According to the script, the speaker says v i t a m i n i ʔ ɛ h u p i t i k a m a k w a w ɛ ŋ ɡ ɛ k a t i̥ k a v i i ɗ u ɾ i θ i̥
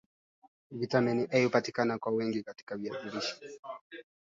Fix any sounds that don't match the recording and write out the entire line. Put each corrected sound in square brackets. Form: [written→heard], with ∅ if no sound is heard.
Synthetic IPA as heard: v i t a m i n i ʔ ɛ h u p [i→a] t i k a [m→n] a k w a w ɛ ŋ ɡ [ɛ→i] k a t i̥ k a v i [i→a] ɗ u ɾ i [θ→ʃ] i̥